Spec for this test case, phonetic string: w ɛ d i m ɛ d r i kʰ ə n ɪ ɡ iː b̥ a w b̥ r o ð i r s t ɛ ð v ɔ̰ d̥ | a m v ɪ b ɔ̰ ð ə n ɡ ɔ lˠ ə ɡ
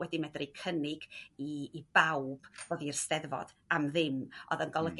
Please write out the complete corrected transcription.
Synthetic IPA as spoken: w ɛ d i m ɛ d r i kʰ ə n ɪ ɡ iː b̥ a w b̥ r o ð i r s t ɛ ð v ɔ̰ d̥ | a m ð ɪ m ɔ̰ ð ə n ɡ ɔ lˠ ə ɡ